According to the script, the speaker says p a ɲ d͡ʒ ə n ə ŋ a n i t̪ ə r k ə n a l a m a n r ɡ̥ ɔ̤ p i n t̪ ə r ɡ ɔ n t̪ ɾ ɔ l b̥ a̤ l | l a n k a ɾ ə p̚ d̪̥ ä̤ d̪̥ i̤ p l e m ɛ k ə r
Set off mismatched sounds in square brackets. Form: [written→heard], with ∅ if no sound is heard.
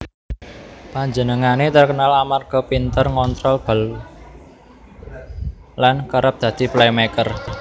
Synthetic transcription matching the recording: p a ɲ d͡ʒ ə n ə ŋ a n [i→e] t̪ ə r k ə n a l a m a [n→∅] r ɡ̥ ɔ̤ p i n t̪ ə r [ɡ→ŋ] ɔ n t̪ ɾ ɔ l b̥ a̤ l | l a n k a ɾ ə p̚ d̪̥ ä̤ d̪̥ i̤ p l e m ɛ k ə r